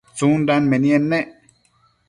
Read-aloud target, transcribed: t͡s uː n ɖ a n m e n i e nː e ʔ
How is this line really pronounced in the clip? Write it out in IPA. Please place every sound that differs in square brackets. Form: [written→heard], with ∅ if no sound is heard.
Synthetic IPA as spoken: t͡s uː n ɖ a n m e n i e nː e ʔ